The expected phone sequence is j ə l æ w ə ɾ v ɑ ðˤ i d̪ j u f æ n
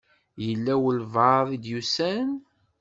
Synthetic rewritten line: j ə lː æ w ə l v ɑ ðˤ i d̪ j u s æ n

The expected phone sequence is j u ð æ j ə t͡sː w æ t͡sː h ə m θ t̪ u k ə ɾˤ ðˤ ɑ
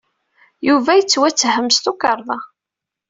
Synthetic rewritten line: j u v æ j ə t͡sː w æ t͡sː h ə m s t̪ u k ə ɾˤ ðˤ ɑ

